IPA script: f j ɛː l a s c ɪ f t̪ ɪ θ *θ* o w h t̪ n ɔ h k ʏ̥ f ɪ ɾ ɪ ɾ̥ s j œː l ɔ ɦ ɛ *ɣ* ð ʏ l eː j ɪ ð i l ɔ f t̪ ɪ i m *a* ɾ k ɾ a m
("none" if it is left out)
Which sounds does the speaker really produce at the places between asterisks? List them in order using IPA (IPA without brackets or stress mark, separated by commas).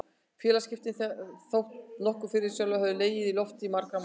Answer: θ, v, a